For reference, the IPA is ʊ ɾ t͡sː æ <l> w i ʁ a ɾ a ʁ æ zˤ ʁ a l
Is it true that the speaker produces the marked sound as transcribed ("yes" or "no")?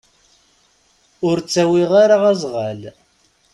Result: no